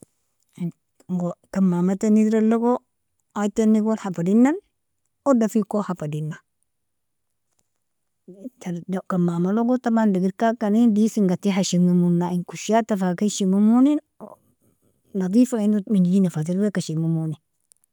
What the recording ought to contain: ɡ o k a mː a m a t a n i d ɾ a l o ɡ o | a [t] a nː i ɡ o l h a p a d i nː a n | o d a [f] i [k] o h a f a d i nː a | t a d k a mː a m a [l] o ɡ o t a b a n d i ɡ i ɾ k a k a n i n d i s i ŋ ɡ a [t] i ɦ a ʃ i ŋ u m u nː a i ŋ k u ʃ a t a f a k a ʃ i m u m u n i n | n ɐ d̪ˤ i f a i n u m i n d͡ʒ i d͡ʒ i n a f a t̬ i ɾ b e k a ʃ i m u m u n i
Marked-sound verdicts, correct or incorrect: correct, correct, correct, correct, correct

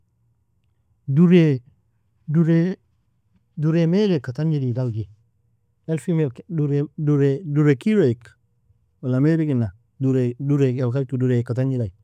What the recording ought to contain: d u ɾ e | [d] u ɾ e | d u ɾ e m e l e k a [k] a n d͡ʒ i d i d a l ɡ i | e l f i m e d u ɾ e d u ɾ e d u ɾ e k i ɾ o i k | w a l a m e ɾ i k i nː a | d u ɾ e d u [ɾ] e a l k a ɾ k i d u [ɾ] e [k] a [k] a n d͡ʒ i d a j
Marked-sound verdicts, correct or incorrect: correct, incorrect, correct, correct, correct, incorrect

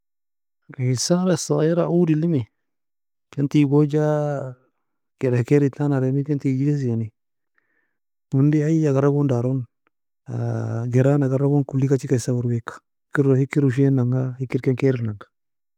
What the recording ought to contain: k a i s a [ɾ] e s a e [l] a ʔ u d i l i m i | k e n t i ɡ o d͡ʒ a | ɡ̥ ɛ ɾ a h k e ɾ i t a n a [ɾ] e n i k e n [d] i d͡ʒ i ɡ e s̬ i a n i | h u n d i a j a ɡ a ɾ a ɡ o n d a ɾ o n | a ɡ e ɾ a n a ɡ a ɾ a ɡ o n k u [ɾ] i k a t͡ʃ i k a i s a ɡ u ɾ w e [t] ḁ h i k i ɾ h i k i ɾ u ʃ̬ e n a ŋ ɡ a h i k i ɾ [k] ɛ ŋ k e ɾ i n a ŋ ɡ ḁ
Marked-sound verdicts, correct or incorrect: correct, incorrect, correct, incorrect, incorrect, incorrect, correct

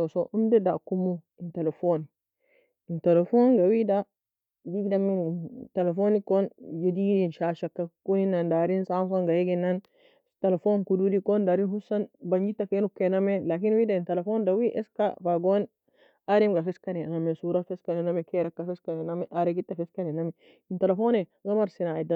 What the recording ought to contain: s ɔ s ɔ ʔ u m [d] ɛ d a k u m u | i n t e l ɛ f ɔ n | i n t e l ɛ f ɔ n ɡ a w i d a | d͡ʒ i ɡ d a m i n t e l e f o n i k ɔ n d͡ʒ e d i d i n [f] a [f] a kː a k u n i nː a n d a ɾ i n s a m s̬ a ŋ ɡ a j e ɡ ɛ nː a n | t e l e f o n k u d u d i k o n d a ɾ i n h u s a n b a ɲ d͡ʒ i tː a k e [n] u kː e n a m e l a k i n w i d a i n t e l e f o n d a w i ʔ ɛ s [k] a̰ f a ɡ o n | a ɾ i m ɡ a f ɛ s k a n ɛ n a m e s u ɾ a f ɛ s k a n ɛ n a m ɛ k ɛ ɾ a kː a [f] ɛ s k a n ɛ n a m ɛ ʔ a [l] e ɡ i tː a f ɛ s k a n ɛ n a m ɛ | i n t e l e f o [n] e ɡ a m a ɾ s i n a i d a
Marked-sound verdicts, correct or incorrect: correct, incorrect, incorrect, correct, correct, correct, incorrect, correct

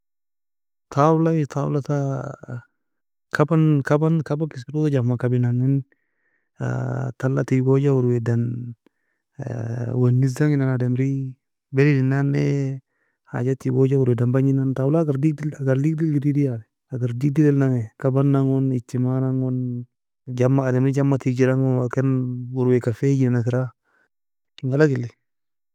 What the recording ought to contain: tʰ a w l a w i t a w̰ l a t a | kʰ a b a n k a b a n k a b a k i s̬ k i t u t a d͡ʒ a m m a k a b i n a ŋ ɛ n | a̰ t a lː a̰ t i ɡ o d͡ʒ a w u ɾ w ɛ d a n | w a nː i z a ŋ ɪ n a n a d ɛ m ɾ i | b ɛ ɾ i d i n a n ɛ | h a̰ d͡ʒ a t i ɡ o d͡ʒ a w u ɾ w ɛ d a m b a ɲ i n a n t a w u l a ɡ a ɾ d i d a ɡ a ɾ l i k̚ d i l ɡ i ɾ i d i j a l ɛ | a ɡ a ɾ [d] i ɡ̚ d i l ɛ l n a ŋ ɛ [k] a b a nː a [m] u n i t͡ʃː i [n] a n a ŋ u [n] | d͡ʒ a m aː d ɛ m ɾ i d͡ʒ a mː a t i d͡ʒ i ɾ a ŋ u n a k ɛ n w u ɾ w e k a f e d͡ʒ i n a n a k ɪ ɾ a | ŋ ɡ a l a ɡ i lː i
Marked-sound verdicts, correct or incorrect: correct, correct, incorrect, incorrect, correct

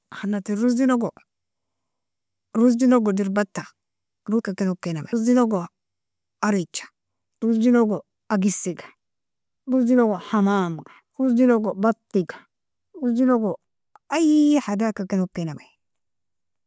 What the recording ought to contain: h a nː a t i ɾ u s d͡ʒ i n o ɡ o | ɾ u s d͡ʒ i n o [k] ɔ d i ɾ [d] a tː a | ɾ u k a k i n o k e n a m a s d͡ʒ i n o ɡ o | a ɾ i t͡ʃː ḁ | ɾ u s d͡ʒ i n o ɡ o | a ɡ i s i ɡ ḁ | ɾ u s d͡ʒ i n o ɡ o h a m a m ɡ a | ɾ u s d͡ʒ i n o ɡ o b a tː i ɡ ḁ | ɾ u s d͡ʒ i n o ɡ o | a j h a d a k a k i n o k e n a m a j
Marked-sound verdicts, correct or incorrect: incorrect, incorrect

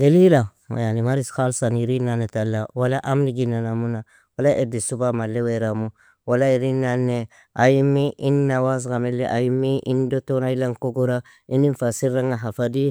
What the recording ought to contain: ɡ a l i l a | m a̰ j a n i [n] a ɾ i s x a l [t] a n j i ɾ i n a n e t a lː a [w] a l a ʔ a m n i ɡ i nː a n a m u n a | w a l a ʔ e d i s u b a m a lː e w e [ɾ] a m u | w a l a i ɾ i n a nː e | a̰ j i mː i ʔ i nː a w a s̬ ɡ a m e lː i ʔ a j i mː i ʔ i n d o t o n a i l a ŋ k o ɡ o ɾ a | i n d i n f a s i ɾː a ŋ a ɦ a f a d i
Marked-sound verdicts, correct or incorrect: incorrect, incorrect, correct, correct

